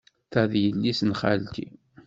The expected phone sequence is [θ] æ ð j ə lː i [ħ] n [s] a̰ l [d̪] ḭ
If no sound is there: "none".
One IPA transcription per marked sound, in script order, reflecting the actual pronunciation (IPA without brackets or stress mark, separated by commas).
θ, s, χ, t̪